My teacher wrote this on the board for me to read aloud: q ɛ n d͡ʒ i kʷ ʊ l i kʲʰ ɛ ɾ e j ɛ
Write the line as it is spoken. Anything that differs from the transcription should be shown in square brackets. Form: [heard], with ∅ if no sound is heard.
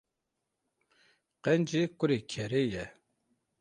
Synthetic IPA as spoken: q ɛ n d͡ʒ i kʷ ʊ [ɾ] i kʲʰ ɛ ɾ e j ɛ